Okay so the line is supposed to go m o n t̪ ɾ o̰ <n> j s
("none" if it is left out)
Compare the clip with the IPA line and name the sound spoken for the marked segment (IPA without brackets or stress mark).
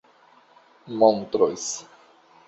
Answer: none